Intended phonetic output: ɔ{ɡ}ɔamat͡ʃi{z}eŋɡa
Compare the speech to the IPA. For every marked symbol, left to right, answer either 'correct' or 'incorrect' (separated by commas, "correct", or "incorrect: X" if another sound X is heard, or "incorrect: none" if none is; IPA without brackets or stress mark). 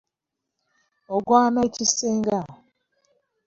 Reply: correct, incorrect: s